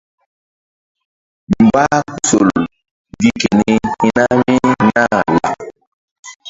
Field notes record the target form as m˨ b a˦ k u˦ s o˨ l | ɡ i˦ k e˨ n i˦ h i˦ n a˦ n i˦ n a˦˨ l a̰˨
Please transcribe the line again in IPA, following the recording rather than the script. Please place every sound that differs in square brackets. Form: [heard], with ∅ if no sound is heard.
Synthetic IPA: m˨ b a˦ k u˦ s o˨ l | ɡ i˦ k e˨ n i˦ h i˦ n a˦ [m] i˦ n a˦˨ l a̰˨